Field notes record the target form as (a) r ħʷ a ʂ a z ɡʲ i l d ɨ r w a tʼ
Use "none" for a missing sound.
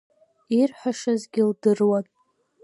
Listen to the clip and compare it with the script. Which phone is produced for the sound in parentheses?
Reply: i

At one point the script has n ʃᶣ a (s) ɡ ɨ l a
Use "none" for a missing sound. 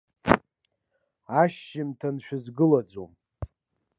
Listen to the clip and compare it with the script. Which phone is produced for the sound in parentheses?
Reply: z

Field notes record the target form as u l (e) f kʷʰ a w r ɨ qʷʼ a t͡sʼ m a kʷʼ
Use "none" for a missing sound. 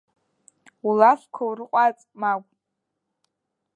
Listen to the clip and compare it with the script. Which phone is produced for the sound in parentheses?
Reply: a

